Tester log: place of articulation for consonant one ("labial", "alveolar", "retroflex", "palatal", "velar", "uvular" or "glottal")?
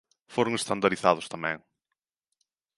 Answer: labial